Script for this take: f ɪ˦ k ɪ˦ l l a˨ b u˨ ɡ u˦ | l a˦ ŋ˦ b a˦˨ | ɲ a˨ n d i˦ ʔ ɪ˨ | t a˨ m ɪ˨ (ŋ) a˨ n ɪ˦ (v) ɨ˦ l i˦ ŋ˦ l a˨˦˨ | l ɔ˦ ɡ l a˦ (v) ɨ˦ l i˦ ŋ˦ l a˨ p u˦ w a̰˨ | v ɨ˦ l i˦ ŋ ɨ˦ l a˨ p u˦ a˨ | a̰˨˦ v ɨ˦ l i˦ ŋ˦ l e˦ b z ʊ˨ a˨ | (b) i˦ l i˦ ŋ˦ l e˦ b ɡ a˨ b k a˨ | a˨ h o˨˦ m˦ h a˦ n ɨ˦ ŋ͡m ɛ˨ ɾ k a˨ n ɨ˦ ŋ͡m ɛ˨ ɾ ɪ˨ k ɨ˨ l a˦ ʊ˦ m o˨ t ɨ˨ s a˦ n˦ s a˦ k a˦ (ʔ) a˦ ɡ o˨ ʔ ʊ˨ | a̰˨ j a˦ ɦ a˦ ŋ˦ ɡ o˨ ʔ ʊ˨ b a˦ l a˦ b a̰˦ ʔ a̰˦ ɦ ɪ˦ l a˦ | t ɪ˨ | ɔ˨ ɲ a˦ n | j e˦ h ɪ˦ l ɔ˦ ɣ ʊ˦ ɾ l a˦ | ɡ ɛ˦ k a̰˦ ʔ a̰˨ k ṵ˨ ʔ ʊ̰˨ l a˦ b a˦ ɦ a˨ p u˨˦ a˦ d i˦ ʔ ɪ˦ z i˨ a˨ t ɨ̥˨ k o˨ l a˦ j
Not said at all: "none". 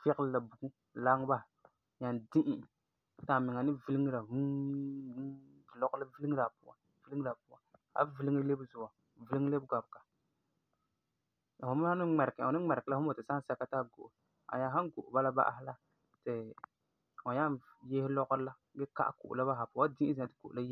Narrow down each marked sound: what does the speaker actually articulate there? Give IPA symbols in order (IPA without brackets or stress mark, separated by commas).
ŋ, v, v, v, t